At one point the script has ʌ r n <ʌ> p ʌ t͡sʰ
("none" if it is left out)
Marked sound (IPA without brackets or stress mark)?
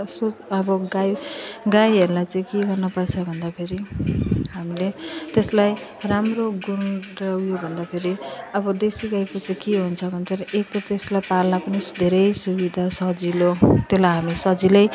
ʌ